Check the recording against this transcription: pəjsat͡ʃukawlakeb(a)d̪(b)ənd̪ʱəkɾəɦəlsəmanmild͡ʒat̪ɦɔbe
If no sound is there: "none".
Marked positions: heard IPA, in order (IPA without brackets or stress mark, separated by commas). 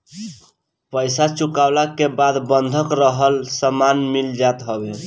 a, b